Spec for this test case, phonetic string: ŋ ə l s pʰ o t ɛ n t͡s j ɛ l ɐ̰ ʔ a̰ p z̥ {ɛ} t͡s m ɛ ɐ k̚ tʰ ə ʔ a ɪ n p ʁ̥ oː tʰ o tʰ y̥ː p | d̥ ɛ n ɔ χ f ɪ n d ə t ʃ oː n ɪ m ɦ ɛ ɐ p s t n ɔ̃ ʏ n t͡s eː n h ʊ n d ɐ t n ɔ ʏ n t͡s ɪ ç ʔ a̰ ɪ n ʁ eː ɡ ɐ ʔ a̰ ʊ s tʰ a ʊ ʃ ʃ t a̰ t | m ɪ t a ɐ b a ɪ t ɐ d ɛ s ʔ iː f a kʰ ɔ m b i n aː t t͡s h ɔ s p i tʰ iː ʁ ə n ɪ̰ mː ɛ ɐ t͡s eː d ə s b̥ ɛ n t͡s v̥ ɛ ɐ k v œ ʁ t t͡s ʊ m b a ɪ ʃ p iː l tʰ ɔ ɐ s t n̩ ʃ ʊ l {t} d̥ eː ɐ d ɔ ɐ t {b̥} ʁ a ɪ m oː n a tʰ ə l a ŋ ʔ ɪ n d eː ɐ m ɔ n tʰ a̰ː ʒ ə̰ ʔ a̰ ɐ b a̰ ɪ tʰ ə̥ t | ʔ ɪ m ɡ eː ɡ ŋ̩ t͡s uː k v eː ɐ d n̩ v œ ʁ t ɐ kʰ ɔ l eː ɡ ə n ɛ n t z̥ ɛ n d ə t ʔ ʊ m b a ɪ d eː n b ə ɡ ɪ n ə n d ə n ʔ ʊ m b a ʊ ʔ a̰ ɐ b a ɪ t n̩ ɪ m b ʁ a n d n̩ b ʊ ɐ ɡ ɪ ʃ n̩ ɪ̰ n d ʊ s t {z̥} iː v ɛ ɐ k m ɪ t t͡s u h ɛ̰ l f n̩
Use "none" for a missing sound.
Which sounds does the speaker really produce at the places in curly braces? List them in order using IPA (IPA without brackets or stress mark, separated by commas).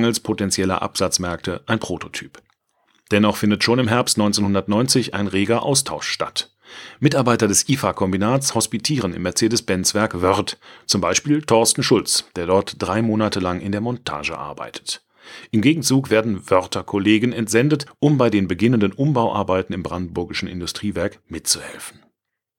a, t͡s, d̥, ʁ̥